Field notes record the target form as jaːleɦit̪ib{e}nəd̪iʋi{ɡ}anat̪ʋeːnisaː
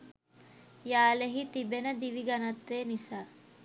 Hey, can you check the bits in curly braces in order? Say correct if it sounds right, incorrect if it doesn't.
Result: correct, correct

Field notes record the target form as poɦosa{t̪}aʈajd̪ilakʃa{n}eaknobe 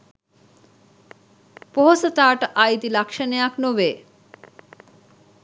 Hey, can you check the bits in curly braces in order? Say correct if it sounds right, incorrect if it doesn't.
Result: correct, correct

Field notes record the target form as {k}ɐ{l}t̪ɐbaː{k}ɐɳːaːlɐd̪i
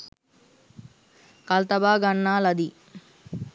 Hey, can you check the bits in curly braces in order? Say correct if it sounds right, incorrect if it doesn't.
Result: correct, correct, incorrect: ɡ

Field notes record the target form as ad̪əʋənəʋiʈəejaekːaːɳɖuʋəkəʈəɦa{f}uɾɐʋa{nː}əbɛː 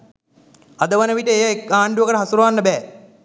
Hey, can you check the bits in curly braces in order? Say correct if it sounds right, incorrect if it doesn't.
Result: incorrect: s, correct

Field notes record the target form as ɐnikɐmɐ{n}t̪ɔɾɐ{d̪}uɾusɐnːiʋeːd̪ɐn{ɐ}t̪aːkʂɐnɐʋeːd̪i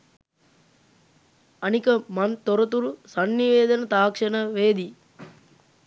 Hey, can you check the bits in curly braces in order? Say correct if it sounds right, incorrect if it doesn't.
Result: correct, incorrect: t̪, correct

